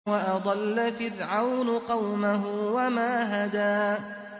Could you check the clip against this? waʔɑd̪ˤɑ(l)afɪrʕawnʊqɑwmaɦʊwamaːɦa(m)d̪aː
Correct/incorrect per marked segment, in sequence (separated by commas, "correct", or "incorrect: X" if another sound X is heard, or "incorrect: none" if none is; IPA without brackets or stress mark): incorrect: lː, incorrect: none